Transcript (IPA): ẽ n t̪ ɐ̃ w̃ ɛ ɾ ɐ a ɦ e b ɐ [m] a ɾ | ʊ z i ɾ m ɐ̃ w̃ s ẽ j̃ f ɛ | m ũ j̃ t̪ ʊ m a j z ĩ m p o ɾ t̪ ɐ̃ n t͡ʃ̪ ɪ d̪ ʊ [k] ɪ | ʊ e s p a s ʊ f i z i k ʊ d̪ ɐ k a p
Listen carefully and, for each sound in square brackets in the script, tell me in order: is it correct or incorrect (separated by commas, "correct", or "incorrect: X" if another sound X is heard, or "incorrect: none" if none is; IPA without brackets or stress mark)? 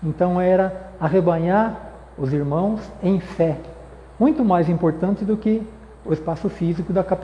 incorrect: ɲ, correct